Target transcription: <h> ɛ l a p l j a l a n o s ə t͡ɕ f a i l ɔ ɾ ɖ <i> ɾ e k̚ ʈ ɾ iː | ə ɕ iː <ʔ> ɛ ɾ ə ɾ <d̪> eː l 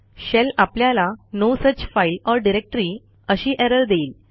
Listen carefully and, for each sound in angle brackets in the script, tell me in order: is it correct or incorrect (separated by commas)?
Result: incorrect, correct, correct, correct